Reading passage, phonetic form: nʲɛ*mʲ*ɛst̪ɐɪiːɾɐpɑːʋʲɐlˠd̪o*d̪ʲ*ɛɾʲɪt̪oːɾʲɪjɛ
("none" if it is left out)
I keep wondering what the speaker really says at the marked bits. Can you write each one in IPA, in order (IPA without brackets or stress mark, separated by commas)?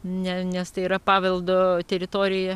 nʲ, t̪ʲ